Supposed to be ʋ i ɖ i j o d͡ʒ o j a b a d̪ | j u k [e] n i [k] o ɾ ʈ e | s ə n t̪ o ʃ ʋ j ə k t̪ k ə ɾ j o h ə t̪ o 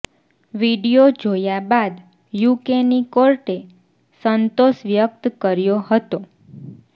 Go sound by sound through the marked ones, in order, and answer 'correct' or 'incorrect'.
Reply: correct, correct

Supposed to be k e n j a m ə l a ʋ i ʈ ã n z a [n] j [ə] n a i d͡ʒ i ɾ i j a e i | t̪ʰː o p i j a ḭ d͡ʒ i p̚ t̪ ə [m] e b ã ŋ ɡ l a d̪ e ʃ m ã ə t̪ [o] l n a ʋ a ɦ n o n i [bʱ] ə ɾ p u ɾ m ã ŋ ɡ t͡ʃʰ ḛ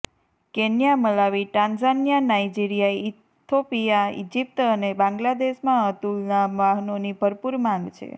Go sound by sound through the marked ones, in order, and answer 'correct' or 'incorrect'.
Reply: correct, incorrect: a, incorrect: n, incorrect: u, correct

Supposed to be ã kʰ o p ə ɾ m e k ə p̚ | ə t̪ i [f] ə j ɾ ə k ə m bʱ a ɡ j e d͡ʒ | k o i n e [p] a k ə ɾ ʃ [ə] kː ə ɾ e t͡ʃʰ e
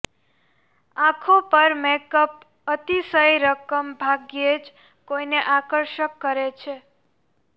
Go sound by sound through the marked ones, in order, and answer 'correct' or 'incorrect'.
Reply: incorrect: s, incorrect: ʔ, correct

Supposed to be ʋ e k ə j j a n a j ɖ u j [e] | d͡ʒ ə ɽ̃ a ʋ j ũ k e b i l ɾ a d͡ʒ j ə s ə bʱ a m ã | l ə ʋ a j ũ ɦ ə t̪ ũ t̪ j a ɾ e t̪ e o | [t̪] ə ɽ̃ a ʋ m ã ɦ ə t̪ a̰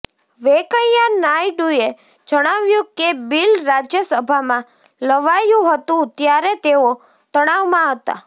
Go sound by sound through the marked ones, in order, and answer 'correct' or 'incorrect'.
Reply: correct, correct

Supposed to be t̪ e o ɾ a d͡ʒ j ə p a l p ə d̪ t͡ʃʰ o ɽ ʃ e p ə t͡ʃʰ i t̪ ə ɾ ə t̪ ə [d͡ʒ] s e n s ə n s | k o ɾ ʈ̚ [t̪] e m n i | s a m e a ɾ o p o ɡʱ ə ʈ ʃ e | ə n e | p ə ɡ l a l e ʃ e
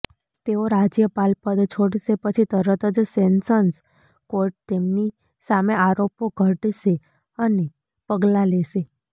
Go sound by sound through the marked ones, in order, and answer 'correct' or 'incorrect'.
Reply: correct, correct

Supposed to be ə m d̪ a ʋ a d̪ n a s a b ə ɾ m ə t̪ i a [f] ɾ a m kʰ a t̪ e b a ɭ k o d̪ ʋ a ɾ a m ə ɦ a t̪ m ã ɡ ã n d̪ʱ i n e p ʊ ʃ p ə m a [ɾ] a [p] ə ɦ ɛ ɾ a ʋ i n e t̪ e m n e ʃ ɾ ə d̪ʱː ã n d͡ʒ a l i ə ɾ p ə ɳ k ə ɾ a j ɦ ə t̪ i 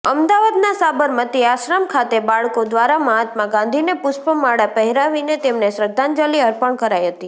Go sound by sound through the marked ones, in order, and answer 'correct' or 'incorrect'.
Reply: incorrect: ʃ, incorrect: ɽ, correct

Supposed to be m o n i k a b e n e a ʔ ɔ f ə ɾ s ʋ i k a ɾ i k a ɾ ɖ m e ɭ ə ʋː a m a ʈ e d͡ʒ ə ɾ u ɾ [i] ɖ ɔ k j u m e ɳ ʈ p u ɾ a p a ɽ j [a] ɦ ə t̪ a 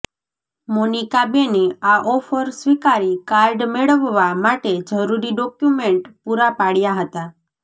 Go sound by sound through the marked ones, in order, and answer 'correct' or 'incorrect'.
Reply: correct, correct

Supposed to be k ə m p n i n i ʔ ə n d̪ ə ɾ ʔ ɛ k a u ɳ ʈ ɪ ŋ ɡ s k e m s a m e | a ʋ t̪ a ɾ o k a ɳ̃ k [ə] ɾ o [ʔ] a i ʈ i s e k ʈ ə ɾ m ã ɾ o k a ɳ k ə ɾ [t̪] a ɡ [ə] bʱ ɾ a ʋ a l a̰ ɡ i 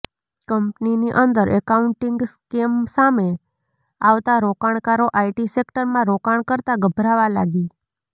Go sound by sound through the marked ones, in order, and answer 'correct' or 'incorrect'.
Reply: incorrect: a, correct, correct, correct

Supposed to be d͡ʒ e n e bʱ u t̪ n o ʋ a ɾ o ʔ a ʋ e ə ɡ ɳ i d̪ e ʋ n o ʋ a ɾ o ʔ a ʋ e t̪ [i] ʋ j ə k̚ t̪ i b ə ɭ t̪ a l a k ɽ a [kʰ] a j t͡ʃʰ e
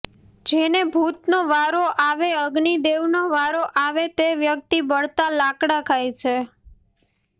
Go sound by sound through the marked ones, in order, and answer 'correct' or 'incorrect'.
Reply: incorrect: e, correct

